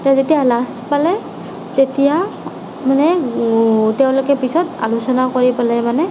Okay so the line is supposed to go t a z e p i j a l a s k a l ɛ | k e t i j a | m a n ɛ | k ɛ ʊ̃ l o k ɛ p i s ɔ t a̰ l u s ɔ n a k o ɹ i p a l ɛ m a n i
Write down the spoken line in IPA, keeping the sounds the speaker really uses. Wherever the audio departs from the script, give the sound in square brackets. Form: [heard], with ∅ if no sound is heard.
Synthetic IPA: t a z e [t] i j a l a s [p] a l ɛ | [t] e t i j a | m a n ɛ | [t] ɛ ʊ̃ l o k ɛ p i s ɔ t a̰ l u s ɔ n a k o ɹ i p a l ɛ m a n [ɛ]